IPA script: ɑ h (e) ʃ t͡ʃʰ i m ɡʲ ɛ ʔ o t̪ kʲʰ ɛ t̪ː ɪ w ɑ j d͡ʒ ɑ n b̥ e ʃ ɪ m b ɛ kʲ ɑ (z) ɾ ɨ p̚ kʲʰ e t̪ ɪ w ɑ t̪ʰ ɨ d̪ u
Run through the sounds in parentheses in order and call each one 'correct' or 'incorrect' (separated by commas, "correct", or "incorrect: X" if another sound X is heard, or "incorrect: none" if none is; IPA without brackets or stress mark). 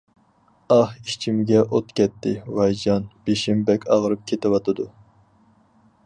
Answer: incorrect: i, incorrect: ʁ